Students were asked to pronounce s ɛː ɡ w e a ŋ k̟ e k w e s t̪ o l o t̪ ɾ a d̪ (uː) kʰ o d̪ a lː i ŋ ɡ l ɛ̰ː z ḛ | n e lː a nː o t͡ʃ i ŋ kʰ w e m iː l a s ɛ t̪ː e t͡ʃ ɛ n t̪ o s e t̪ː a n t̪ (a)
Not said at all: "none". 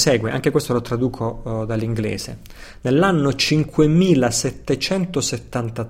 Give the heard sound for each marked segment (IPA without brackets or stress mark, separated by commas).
uː, a